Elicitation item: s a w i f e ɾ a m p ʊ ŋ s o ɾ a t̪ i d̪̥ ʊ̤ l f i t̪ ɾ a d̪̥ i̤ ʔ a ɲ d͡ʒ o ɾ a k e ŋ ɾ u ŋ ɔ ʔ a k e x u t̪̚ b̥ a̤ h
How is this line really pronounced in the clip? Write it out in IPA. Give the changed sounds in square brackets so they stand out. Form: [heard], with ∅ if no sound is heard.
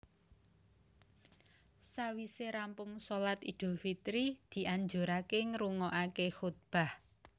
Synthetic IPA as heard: s a w i [s] e ɾ a m p ʊ ŋ s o [l] a t̪ i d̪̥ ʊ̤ l f i t̪ ɾ [i] d̪̥ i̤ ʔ a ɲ d͡ʒ o ɾ a k e ŋ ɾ u ŋ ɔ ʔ a k e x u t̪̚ b̥ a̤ h